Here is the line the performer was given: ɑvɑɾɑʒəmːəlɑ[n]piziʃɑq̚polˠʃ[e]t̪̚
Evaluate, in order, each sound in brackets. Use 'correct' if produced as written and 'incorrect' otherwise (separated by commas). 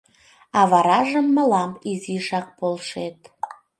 incorrect, correct